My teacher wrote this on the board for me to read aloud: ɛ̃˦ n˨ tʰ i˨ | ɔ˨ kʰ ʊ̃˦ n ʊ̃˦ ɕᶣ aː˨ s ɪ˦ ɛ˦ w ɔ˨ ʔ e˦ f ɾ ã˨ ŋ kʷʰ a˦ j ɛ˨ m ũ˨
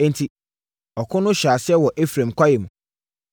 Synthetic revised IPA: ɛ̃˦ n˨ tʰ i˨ | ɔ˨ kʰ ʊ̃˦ n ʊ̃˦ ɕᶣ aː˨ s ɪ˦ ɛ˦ w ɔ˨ ʔ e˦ f ɾ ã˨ m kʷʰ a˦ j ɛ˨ m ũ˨